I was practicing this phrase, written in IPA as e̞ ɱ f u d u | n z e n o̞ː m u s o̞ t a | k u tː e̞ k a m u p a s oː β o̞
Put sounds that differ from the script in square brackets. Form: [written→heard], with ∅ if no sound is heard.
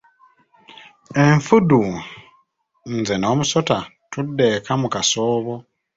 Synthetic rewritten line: e̞ ɱ f u d u | n z e n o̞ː m u s o̞ t a | [k→t] u [tː→dː] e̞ k a m u [p→k] a s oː β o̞